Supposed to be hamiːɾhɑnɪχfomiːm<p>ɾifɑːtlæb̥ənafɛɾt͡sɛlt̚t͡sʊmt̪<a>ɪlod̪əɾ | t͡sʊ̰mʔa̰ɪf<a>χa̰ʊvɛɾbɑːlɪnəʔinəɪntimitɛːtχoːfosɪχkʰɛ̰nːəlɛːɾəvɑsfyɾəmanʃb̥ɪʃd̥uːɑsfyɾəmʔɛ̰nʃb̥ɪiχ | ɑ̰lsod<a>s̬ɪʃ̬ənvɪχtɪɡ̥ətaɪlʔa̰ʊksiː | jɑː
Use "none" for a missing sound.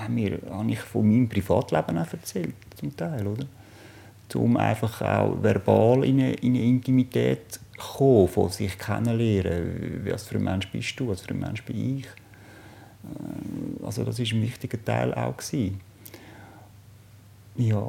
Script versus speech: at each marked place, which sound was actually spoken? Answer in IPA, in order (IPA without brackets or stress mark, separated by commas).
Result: p, a, ɑ, ɑ